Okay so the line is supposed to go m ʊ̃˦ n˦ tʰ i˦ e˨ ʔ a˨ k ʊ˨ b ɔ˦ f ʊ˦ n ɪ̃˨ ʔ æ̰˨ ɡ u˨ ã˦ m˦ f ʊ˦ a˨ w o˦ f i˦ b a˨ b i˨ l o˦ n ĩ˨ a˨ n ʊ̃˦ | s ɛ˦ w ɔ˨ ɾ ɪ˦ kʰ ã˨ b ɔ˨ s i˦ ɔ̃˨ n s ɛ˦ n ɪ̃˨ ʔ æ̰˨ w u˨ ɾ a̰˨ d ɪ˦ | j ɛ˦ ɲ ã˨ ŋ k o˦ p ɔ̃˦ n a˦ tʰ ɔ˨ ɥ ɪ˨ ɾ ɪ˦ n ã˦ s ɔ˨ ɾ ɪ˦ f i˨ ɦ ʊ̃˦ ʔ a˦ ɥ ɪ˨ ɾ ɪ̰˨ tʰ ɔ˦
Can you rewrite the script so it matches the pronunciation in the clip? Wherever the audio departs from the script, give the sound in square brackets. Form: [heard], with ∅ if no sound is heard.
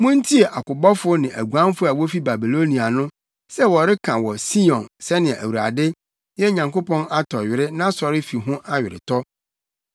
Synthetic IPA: m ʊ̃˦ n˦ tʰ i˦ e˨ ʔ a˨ k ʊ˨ b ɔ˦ f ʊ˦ n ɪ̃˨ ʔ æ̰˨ ɡ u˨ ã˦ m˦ f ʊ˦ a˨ w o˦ f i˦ b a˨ b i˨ l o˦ n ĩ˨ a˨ n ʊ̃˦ | s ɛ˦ w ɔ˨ ɾ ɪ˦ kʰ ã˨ [w] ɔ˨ s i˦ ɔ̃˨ n s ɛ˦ n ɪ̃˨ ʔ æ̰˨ w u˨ ɾ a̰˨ d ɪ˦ | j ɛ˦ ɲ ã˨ ŋ k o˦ p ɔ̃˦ n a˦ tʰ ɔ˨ ɥ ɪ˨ ɾ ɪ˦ n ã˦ s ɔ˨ ɾ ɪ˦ f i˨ ɦ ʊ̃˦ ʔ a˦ ɥ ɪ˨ ɾ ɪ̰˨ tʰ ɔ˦